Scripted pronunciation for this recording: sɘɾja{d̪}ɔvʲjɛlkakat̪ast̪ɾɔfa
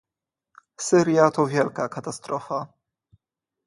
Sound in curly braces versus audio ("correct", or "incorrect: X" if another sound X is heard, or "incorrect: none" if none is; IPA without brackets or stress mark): incorrect: t̪